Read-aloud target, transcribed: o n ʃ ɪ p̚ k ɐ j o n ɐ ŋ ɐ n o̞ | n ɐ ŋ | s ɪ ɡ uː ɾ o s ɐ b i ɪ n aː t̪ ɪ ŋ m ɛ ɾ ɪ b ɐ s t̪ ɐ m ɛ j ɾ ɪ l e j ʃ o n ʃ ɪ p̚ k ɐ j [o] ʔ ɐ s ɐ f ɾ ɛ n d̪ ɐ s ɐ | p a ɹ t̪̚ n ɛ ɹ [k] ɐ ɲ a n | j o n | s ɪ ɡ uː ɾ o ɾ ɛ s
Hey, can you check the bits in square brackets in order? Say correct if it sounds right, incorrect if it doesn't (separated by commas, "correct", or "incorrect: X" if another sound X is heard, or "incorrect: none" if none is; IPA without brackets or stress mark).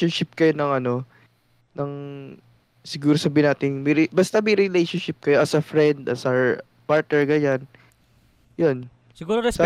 correct, incorrect: ɡ